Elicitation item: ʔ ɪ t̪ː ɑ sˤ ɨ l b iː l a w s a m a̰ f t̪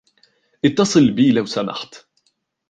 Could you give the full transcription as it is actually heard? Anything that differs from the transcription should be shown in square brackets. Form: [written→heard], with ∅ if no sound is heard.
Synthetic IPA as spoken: ʔ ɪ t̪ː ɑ sˤ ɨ l b iː l a w s a m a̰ [f→ħ] t̪